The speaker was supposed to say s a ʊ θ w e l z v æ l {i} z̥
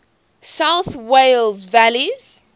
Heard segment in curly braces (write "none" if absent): i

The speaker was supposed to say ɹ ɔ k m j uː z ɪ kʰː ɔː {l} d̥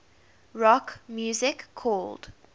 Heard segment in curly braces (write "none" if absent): l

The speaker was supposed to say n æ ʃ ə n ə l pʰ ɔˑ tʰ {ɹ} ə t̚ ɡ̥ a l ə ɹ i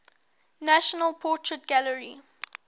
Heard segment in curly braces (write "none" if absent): ɹ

